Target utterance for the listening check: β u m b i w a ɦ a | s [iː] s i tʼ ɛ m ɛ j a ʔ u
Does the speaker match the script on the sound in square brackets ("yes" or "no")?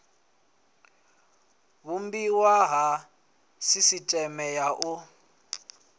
no